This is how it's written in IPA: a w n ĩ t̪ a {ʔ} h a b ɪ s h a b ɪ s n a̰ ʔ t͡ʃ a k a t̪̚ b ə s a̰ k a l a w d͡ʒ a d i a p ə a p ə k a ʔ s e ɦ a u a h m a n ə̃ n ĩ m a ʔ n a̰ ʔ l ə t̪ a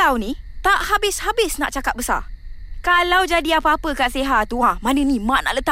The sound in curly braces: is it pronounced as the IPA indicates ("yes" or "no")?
yes